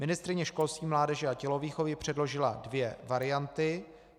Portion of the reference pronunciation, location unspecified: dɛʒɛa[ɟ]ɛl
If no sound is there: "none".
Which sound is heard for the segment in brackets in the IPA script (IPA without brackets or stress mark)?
c